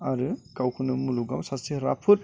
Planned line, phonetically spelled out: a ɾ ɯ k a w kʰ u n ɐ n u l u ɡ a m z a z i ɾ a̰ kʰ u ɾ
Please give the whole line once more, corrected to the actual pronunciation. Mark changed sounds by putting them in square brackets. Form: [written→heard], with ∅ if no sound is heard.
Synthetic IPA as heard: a ɾ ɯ k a w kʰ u n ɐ [n→m] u l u ɡ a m [z→s] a [z→s] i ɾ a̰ [kʰ→pʰ] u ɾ